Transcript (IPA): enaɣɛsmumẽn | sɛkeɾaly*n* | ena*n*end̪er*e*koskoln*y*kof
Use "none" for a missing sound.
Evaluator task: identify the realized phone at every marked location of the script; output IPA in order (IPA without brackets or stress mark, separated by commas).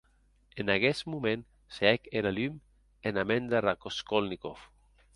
m, m, a, i